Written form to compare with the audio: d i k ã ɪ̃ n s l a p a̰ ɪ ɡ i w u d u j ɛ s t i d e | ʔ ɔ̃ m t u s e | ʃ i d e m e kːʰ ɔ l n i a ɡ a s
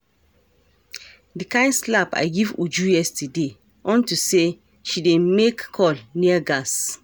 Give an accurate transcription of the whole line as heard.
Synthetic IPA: d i k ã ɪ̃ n s l a p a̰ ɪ ɡ i v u d͡ʒ u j ɛ s t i d e | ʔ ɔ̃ n t u s e | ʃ i d e m e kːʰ ɔ l n i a ɡ a s